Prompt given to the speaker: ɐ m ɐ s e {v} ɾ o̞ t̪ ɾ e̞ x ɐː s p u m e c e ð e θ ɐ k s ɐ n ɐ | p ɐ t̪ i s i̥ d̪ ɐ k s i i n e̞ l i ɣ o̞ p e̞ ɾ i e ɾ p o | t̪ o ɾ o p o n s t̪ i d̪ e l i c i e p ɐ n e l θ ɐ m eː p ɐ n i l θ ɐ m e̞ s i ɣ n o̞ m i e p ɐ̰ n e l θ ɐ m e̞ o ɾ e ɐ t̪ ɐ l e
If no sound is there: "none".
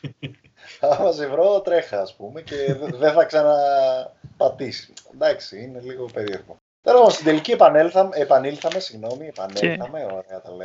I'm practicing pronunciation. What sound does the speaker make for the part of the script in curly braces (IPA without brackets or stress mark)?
v